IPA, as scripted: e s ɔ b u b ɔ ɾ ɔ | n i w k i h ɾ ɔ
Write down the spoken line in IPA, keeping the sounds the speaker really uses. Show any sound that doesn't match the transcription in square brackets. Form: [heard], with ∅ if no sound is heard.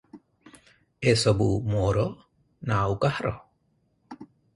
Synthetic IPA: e s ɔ b u [m] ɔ ɾ ɔ | n [a] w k [a] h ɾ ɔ